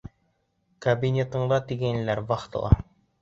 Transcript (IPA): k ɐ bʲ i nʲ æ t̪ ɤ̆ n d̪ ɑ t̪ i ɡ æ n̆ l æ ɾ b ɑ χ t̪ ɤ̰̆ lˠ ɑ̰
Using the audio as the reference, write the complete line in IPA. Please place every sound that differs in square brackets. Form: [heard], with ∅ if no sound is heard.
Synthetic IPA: k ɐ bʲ i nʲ [e] t̪ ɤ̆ [ɴ] d̪ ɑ t̪ i ɡ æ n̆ l æ ɾ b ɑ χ t̪ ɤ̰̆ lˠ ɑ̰